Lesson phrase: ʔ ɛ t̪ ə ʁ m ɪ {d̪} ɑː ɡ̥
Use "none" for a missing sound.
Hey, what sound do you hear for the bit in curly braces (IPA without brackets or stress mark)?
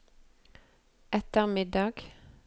d̪